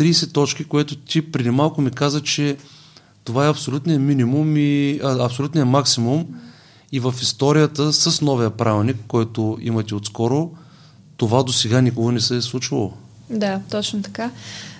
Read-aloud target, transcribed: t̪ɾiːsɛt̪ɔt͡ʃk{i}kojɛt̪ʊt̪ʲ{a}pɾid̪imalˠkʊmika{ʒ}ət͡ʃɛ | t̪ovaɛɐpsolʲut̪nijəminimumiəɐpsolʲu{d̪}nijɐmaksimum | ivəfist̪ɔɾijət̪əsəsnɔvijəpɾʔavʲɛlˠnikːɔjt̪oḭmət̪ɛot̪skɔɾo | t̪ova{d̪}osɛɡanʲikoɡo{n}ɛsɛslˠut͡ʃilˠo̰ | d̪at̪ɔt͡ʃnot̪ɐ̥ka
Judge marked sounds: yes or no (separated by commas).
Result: yes, no, no, no, yes, yes